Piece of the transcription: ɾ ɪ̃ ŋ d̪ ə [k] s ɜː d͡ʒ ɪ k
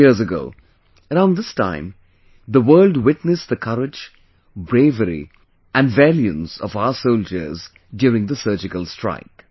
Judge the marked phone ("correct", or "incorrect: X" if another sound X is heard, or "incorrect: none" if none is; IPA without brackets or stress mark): incorrect: none